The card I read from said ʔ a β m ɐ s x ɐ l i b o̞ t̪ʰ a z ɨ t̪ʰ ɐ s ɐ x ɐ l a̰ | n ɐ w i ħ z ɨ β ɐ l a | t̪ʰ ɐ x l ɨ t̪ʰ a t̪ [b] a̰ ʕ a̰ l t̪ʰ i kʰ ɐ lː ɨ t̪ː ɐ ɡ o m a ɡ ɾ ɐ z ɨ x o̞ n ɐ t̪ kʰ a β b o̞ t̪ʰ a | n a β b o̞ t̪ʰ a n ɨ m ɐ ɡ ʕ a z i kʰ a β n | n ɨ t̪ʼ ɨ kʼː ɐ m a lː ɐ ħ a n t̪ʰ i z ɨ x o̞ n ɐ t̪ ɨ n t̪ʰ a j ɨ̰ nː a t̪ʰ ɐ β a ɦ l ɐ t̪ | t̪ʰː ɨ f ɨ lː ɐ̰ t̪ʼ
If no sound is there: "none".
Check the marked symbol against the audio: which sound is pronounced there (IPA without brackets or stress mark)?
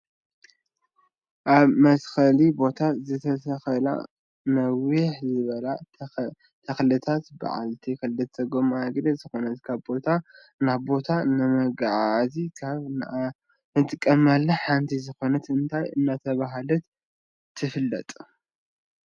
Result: b